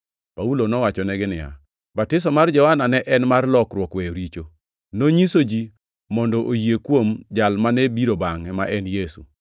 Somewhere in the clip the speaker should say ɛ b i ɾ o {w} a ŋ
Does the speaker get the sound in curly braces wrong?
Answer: yes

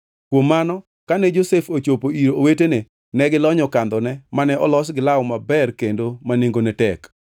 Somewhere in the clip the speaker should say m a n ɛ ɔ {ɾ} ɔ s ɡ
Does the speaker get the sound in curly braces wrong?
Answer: yes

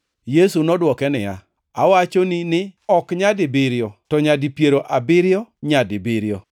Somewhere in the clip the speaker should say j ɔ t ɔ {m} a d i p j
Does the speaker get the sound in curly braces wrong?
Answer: yes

